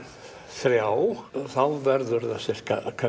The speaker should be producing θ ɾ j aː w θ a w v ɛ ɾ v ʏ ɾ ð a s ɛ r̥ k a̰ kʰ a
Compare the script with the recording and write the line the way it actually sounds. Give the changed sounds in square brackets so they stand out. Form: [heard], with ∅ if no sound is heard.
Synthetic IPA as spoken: θ ɾ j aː w θ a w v ɛ ɾ [ð] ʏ ɾ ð a s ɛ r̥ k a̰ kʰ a